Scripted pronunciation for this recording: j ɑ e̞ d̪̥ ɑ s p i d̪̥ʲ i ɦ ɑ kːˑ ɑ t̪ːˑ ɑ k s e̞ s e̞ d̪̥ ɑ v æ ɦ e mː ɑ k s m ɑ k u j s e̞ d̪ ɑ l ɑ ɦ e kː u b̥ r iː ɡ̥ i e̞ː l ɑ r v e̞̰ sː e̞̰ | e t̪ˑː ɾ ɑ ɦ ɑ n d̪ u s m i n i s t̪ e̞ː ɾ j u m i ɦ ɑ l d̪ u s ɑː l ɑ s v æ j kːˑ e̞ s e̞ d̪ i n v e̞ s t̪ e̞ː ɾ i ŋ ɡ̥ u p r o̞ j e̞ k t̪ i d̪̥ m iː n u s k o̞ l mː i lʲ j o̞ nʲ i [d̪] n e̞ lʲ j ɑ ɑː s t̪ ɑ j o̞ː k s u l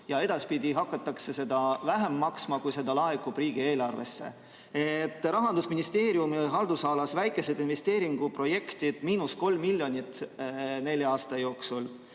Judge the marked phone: incorrect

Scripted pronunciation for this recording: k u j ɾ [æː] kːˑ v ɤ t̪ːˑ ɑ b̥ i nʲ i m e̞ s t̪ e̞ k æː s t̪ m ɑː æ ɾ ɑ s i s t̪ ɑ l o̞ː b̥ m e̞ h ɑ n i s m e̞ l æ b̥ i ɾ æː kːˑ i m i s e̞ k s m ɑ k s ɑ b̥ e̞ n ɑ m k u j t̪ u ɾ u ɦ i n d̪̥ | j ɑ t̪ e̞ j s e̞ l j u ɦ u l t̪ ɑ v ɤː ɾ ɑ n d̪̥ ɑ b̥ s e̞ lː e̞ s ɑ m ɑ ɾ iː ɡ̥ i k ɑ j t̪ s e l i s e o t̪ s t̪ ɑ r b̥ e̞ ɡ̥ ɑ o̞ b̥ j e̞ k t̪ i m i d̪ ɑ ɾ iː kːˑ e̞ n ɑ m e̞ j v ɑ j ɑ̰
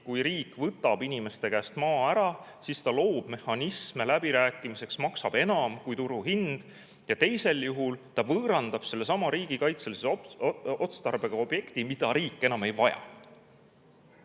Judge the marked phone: incorrect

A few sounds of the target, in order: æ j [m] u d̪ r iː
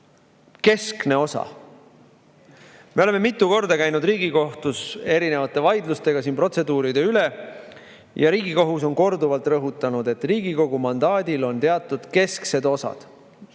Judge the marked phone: incorrect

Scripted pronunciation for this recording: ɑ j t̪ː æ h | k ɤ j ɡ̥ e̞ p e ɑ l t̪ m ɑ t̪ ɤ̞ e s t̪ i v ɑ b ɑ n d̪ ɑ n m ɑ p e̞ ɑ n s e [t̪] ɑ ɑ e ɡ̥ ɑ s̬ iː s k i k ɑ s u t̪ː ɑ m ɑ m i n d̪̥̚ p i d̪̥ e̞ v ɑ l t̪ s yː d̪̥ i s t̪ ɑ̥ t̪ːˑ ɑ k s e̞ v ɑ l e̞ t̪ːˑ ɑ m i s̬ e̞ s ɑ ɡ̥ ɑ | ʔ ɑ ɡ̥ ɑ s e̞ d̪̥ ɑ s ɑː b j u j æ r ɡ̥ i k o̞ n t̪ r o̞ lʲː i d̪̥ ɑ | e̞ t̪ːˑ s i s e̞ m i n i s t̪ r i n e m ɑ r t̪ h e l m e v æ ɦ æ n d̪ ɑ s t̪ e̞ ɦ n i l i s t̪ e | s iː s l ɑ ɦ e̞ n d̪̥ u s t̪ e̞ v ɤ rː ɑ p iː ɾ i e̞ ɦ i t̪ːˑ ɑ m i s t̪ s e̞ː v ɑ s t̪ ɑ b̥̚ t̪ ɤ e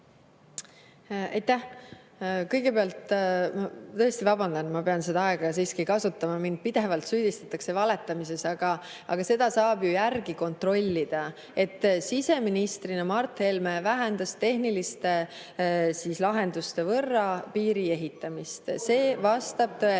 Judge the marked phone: incorrect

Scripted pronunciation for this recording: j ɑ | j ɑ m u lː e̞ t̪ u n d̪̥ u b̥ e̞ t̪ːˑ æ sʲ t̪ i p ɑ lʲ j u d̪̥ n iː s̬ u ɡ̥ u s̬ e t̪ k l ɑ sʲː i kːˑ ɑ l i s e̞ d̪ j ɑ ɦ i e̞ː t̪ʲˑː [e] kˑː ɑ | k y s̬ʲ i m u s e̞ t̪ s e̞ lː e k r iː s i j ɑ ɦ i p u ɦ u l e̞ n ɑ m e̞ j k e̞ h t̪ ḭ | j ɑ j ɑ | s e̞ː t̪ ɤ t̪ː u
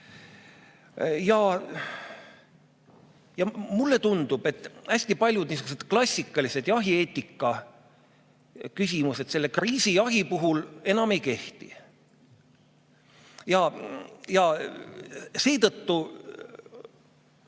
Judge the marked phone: incorrect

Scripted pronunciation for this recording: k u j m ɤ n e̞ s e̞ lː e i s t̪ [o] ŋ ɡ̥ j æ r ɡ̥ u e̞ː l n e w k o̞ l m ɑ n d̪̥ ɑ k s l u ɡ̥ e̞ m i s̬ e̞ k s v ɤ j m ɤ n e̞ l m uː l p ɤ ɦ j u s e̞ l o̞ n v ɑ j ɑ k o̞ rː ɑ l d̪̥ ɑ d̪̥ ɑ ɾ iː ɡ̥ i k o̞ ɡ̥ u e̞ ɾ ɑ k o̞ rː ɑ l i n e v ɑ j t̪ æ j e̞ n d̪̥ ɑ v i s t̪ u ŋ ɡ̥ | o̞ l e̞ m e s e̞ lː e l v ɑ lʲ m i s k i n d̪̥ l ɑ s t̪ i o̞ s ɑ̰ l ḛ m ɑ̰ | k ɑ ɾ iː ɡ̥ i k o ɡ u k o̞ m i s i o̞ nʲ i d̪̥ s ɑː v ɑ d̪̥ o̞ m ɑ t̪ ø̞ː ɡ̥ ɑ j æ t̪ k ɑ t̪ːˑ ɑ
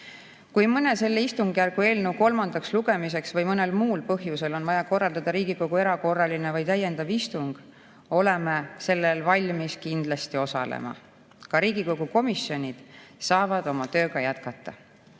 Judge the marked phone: incorrect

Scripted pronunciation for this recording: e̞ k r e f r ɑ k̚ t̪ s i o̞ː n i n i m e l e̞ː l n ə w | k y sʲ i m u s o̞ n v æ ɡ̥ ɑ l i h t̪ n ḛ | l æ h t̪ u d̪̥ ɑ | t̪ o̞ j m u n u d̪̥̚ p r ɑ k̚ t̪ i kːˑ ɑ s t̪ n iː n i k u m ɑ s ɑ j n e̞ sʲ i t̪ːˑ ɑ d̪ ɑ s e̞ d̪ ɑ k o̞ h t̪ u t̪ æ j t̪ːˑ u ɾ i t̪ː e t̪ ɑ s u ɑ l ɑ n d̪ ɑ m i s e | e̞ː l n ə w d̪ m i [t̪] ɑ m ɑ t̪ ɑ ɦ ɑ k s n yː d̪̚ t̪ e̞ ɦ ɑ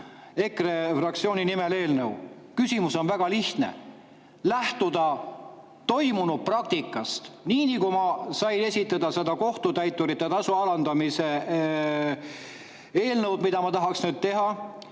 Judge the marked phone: incorrect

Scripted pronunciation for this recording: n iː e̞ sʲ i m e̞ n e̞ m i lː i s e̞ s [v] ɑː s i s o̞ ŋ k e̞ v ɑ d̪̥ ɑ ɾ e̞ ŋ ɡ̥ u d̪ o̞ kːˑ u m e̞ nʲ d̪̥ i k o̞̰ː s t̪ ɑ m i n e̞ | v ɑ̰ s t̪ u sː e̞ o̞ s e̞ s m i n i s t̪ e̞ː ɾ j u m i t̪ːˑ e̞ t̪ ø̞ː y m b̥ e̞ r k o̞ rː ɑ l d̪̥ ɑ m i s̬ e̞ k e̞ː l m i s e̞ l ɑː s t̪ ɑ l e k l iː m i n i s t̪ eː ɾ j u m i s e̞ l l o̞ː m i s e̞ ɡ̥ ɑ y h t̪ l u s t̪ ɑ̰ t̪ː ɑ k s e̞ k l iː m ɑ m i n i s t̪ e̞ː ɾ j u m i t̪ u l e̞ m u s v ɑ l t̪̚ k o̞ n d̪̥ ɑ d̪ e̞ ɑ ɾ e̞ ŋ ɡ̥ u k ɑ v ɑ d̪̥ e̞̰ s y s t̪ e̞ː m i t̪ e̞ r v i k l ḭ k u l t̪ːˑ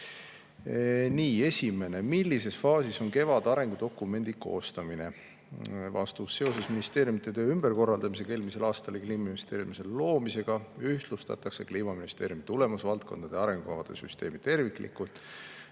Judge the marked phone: incorrect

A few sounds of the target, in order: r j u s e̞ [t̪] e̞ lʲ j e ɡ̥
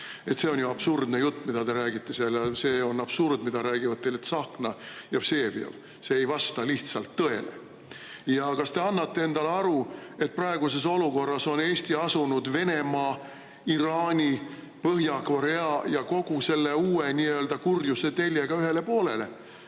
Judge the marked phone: correct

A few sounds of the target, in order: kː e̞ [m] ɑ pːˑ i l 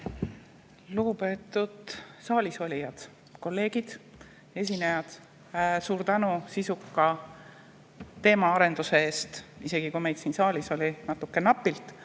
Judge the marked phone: incorrect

